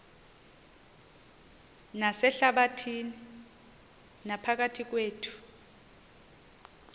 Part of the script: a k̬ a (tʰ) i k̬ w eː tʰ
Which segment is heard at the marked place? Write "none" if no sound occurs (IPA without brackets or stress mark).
tʰ